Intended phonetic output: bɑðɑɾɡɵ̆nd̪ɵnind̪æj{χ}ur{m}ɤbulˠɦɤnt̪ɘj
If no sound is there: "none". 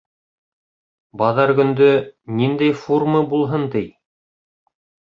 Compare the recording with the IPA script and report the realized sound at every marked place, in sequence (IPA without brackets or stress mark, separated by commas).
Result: f, m